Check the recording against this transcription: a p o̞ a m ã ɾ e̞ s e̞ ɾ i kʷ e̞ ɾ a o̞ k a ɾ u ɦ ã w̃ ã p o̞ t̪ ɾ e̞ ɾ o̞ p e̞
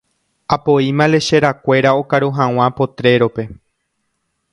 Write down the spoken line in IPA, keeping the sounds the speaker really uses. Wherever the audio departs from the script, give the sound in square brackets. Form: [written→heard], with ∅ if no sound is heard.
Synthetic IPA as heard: a p o̞ [a→i] m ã [ɾ→l] e̞ [s→ʃ] e̞ ɾ [i→a] kʷ e̞ ɾ a o̞ k a ɾ u ɦ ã w̃ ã p o̞ t̪ ɾ e̞ ɾ o̞ p e̞